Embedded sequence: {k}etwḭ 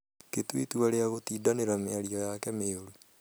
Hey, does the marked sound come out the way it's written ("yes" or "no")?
yes